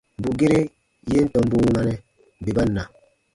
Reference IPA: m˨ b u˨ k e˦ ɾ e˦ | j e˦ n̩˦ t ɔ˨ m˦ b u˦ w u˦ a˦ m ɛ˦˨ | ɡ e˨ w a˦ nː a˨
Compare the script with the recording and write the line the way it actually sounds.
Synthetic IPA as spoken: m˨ b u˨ ɡ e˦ ɾ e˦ | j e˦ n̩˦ t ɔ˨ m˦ b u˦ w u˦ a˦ n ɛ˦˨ | b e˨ b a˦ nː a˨